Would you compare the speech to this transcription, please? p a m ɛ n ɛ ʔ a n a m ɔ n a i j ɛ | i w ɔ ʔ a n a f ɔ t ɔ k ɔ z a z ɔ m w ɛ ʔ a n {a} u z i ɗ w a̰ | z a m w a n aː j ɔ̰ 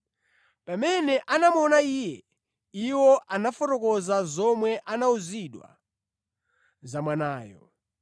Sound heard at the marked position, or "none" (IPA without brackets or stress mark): a